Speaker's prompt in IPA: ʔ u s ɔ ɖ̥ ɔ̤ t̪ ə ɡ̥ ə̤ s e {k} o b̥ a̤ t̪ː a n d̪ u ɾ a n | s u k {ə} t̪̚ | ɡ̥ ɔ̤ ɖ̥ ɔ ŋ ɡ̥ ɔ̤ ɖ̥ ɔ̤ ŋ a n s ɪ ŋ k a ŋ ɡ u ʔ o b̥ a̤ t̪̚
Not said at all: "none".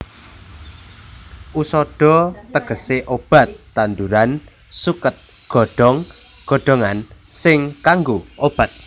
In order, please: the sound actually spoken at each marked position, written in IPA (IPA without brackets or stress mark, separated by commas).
ʔ, ə